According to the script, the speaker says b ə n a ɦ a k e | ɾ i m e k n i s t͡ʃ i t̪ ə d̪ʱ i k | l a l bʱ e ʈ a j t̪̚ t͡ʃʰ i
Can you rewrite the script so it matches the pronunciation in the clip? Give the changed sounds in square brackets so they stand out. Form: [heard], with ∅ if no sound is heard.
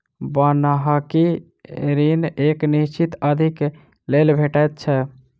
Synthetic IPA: b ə n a ɦ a k [i] | ɾ i [n] e k n i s t͡ʃ i t̪ ə d̪ʱ i k | l [e] l bʱ e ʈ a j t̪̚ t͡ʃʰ [ɛ]